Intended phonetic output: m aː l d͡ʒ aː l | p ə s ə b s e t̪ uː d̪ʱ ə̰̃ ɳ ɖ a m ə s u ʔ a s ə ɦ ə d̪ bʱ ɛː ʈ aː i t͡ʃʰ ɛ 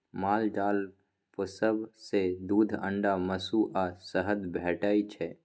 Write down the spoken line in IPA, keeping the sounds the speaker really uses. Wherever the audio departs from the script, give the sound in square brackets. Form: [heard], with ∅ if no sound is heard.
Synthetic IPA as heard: m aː l d͡ʒ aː l | p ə s ə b s e [d̪] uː d̪ʱ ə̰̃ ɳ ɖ a m ə s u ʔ a s ə ɦ ə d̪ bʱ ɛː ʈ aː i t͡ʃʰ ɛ